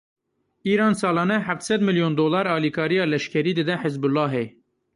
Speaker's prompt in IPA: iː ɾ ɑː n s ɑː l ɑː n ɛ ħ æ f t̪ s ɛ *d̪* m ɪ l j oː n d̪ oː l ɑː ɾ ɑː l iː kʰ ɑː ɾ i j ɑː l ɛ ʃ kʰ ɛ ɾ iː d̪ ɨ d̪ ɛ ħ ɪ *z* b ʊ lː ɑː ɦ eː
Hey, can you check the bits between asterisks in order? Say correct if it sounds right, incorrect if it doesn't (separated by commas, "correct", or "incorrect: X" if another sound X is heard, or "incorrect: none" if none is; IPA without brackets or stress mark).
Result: correct, correct